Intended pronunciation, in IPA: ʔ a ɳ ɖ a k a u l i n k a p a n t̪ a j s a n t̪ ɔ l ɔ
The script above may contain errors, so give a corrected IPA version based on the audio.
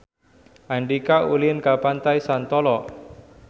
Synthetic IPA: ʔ a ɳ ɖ i k a u l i n k a p a n t̪ a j s a n t̪ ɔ l ɔ